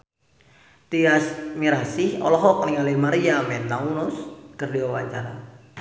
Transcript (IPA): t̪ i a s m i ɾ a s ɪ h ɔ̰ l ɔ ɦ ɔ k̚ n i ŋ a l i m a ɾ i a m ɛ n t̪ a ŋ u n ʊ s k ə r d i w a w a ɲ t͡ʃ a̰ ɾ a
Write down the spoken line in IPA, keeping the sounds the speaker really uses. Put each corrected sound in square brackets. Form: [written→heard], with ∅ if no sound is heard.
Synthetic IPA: t̪ i a s m i ɾ a s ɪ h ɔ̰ l ɔ ɦ ɔ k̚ n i ŋ a l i m a ɾ i a m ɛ n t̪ a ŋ u n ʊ s k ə r d i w a w a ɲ t͡ʃ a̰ ɾ a

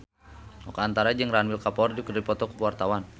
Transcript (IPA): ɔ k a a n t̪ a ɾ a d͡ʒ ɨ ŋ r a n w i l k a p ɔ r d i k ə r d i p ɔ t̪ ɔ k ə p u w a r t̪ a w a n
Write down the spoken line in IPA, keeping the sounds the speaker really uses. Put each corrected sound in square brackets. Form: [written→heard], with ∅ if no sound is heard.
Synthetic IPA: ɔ k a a n t̪ a ɾ a d͡ʒ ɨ ŋ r a n w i l k a p ɔ r d i k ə r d i p ɔ t̪ ɔ k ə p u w a r t̪ a w a n

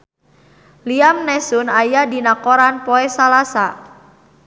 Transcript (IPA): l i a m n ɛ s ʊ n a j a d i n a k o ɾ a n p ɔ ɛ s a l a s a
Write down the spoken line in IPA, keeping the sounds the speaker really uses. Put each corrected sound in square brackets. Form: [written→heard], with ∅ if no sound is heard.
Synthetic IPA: l i a m n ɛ s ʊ n a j a d i n a k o ɾ a n p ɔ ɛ s a l a s a

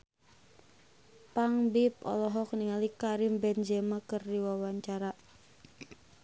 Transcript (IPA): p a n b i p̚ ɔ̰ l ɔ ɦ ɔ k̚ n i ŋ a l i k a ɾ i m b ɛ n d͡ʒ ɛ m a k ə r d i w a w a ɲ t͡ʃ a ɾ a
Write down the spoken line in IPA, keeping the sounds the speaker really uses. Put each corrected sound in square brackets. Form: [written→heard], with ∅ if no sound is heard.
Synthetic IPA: p a [n→ŋ] b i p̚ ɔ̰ l ɔ ɦ ɔ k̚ n i ŋ a l i k a ɾ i m b ɛ n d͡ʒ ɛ m a k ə r d i w a w a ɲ t͡ʃ a ɾ a

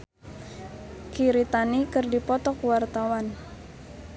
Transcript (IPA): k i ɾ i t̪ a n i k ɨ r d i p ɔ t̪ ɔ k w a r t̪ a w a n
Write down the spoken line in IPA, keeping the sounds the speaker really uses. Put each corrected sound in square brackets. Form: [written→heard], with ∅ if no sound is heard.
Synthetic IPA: k i ɾ i t̪ a n i k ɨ r d i p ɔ t̪ ɔ k w a r t̪ a w a n

